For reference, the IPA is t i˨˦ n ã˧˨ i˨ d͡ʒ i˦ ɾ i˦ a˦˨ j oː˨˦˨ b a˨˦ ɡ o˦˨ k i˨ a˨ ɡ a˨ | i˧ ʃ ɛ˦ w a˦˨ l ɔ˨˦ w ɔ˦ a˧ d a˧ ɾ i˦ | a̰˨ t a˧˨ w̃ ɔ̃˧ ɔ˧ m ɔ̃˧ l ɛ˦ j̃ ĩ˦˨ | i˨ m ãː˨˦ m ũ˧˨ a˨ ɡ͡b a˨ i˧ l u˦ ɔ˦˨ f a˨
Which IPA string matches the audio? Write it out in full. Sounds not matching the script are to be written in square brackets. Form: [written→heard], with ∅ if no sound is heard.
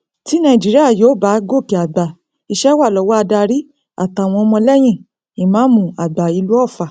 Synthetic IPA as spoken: t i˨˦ n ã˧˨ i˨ d͡ʒ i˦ ɾ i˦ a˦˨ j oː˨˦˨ b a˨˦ ɡ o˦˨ k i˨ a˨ [ɡ→ɡ͡b] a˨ | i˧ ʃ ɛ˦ w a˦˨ l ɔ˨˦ w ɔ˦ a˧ d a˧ ɾ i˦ | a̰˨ t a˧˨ w̃ ɔ̃˧ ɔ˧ m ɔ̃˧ l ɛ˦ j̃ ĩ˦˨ | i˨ m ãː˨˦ m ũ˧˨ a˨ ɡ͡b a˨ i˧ l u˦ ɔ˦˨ f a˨